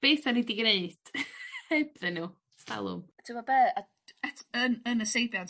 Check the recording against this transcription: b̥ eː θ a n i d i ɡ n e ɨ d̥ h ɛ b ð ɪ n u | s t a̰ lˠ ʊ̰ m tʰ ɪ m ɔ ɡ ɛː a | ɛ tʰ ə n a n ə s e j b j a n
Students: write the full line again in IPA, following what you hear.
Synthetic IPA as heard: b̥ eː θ a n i d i ɡ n e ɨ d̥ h ɛ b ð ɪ n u | s t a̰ lˠ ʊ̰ m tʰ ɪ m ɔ b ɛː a | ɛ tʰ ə n ə n ə s e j b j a n